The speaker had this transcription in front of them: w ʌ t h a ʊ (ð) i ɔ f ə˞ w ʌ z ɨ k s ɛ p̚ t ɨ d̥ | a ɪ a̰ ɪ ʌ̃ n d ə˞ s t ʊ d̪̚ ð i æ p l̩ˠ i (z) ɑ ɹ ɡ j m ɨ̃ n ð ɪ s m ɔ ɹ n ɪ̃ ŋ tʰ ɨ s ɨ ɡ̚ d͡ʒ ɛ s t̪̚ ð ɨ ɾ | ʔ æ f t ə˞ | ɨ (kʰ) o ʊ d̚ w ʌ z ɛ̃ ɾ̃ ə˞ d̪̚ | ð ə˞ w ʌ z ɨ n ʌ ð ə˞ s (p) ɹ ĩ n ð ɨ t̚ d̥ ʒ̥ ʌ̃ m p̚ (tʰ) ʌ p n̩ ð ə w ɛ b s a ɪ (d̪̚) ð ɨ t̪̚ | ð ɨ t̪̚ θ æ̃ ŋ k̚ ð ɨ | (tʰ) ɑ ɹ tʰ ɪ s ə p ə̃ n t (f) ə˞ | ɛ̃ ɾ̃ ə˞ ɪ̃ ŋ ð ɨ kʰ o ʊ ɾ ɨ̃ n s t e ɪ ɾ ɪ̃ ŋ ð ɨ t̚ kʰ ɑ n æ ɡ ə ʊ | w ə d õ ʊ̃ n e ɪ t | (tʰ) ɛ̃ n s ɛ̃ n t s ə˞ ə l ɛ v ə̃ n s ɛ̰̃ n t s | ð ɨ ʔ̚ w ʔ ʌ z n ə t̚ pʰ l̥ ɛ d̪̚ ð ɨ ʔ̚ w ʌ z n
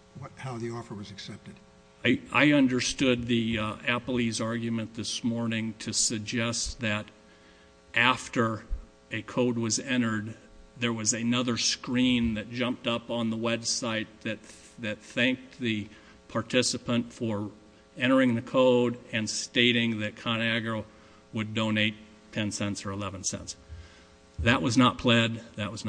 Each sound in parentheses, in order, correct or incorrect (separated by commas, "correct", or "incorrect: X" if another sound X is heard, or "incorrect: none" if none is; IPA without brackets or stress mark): correct, correct, correct, incorrect: k, incorrect: t, incorrect: t̪̚, incorrect: pʰ, correct, correct